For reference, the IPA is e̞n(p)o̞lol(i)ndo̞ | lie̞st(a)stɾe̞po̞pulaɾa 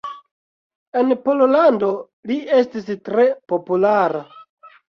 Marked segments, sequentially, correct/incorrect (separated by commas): correct, incorrect, incorrect